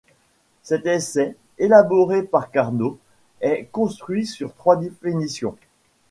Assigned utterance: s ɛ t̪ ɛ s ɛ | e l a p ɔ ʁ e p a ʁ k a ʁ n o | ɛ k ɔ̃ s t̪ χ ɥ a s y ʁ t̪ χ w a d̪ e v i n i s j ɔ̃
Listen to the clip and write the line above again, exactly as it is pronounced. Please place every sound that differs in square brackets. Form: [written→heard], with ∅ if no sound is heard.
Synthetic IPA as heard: s ɛ t̪ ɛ s ɛ | e l a [p→b] ɔ ʁ e p a ʁ k a ʁ n o | ɛ k ɔ̃ s t̪ χ ɥ [a→i] s y ʁ t̪ χ w a d̪ e [v→f] i n i s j ɔ̃